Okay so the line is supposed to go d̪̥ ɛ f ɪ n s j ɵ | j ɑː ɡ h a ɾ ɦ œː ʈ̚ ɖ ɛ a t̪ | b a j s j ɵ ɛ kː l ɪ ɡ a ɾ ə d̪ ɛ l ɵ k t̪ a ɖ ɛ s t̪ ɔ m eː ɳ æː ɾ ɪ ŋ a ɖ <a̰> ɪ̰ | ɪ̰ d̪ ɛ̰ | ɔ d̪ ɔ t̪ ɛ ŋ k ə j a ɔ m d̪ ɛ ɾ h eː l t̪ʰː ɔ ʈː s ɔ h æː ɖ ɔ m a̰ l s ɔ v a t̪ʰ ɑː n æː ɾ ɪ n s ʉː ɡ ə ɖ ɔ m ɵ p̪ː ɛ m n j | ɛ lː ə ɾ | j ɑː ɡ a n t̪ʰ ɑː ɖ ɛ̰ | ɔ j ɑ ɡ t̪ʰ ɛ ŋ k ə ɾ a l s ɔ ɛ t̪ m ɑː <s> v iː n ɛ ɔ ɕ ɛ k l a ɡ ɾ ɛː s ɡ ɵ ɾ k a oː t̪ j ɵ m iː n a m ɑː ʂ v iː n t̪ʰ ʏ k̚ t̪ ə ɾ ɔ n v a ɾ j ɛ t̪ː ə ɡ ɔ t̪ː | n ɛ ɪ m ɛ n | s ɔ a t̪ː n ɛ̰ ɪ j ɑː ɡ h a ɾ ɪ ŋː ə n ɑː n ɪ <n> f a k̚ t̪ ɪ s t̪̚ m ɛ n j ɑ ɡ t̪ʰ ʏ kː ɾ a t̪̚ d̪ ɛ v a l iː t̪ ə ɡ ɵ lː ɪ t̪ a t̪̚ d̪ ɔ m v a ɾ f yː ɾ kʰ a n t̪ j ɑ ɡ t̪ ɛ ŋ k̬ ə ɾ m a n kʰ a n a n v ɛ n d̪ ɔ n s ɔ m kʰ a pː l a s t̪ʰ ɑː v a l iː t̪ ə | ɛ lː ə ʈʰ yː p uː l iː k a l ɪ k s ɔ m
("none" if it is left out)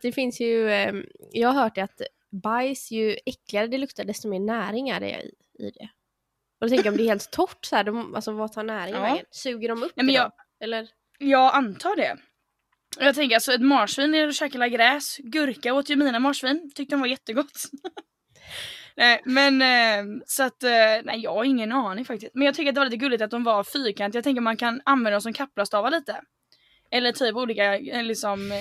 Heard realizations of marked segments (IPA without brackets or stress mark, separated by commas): ɛ̰, ʂ, ŋ